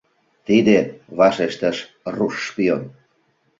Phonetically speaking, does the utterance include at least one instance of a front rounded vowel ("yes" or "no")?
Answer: no